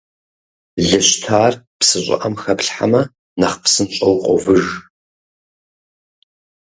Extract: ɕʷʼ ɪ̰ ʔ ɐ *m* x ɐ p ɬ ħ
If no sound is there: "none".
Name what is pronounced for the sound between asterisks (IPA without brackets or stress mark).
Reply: m